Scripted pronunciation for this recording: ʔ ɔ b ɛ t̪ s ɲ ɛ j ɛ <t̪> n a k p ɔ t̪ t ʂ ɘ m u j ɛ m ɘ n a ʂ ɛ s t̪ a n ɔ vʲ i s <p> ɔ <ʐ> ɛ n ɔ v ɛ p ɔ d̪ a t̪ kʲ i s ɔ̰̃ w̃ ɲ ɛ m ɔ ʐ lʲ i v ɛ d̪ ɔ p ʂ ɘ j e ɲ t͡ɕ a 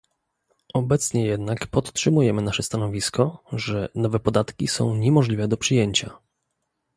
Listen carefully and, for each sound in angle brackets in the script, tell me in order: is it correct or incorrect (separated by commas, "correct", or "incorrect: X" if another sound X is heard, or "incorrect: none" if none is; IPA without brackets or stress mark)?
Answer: incorrect: d̪, incorrect: k, correct